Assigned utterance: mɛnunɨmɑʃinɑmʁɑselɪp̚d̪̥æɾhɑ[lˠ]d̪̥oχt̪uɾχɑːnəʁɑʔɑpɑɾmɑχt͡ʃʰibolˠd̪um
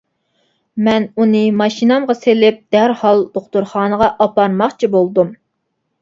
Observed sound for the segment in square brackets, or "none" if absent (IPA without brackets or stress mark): lˠ